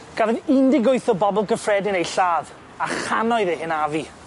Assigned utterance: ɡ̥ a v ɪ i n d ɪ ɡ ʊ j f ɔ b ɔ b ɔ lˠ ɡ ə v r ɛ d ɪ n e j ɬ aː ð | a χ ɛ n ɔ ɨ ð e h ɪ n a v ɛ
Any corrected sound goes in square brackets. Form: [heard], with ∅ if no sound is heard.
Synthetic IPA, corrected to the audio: ɡ̥ a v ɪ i n d ɪ ɡ ʊ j [θ] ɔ b ɔ b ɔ lˠ ɡ ə [f] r ɛ d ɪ n e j ɬ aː ð | a χ [a] n ɔ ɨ ð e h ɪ n a v [i]